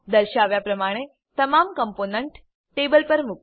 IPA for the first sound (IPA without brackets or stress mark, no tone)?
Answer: d̪